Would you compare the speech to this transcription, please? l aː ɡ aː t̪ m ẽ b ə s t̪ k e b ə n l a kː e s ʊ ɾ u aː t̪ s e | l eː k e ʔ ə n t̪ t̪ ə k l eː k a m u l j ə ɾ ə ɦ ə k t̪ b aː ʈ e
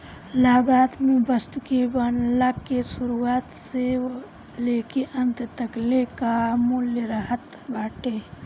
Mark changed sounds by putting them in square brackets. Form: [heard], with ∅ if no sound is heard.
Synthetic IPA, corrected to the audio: l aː ɡ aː t̪ m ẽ b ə s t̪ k e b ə n l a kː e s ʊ ɾ u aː t̪ s e | l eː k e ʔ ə n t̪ t̪ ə k l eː k a m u l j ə ɾ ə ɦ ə [∅] t̪ b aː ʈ e